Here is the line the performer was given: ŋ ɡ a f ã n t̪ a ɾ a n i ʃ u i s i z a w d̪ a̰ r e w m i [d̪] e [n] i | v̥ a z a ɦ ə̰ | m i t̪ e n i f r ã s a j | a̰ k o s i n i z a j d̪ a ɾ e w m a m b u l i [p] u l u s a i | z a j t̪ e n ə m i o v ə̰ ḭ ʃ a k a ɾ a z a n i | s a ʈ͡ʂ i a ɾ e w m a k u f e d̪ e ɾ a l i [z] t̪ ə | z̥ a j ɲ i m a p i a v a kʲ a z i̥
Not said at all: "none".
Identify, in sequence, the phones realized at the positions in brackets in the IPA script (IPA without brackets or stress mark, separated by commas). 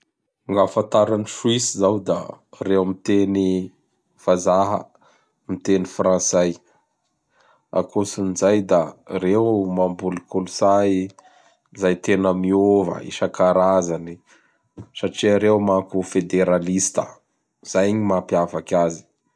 t̪, n, k, s